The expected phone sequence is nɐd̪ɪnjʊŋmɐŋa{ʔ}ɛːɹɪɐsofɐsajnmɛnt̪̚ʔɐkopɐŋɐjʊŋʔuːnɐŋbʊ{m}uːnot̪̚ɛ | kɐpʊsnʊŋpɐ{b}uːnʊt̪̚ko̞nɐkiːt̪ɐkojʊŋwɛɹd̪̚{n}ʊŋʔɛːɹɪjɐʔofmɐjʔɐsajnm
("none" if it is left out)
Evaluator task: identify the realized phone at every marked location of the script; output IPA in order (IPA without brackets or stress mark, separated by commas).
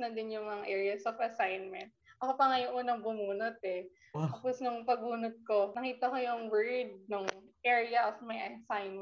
ʔ, m, ɡ, n